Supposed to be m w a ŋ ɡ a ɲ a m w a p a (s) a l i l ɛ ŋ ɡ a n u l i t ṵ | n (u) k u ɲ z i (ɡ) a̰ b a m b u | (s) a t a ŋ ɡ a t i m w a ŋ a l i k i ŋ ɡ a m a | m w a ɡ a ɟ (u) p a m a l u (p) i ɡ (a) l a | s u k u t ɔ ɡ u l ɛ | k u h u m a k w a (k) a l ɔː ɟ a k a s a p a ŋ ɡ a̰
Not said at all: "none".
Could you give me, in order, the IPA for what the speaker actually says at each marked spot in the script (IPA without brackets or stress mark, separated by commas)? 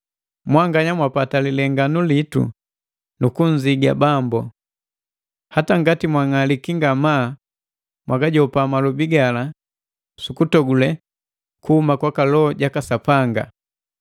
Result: t, u, ɡ, h, ɔ, b, a, k